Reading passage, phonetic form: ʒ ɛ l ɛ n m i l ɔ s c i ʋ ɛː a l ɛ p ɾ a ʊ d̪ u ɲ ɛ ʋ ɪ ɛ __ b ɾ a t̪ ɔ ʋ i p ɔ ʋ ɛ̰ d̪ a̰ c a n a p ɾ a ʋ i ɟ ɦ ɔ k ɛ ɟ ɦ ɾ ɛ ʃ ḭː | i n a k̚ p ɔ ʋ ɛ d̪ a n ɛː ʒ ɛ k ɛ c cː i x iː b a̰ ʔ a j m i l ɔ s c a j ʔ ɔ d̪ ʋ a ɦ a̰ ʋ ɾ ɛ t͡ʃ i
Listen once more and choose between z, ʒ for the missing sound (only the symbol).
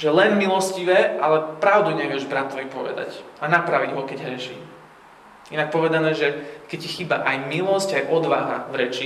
ʒ